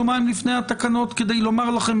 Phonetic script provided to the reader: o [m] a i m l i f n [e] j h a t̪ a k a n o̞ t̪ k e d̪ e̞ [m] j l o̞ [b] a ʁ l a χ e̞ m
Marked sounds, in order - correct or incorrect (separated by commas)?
correct, correct, incorrect, incorrect